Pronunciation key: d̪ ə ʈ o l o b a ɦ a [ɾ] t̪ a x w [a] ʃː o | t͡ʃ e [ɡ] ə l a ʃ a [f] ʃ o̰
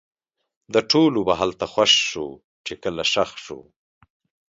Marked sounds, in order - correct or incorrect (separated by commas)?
incorrect, correct, incorrect, incorrect